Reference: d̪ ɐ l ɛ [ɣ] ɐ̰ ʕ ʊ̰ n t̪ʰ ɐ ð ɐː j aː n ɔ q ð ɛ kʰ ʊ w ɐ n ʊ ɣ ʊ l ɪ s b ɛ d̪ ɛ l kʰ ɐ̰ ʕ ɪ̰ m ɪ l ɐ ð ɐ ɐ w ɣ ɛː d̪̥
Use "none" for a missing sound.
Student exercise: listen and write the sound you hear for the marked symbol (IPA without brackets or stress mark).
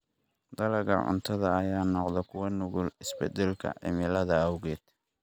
ɣ